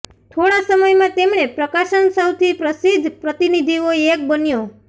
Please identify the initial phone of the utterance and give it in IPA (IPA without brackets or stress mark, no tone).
t̪ʰ